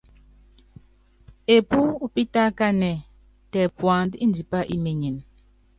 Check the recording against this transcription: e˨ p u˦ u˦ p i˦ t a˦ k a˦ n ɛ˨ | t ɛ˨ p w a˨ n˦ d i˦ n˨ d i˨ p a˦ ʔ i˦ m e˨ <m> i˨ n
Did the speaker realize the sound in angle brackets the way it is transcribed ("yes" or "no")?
no